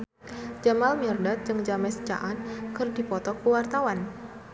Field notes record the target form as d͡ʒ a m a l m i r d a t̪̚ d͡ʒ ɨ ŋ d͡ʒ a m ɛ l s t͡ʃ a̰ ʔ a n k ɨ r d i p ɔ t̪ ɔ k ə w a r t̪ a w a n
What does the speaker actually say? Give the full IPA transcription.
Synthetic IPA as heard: d͡ʒ a m a l m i r d a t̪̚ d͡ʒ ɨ ŋ d͡ʒ a m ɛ s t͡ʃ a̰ ʔ a n k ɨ r d i p ɔ t̪ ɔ k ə w a r t̪ a w a n